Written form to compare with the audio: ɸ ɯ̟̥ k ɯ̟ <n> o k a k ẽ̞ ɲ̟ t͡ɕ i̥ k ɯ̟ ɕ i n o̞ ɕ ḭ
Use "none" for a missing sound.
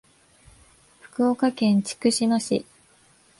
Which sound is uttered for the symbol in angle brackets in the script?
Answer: none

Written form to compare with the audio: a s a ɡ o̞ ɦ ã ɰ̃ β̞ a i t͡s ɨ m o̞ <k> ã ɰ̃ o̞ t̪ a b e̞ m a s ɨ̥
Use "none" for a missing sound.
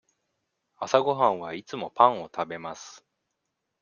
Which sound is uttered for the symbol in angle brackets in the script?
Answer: p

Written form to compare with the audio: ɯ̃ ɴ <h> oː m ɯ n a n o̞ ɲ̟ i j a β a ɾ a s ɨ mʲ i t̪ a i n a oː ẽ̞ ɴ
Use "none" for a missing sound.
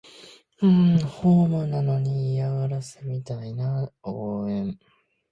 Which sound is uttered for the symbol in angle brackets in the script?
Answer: h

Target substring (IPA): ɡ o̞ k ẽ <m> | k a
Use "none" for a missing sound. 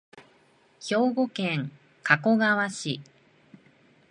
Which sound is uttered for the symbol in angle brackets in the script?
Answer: ŋ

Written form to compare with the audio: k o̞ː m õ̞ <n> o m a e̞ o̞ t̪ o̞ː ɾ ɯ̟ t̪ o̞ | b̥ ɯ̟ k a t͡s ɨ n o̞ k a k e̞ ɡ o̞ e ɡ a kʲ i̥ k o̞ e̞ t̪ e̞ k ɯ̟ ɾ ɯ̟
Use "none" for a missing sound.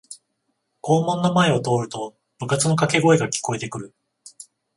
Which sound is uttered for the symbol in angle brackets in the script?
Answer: nː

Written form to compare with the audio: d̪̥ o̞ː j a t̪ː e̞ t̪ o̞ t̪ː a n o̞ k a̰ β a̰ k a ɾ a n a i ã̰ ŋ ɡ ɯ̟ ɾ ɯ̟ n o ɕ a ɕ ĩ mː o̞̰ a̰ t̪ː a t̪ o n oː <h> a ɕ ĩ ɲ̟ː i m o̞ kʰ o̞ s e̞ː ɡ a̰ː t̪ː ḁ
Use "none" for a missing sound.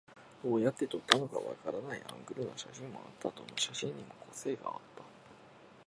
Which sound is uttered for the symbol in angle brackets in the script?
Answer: ɕ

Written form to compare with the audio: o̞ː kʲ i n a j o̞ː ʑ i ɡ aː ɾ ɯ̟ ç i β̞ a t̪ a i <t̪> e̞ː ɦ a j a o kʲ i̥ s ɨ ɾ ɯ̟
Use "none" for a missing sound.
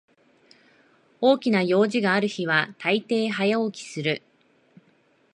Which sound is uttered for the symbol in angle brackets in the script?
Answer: t̪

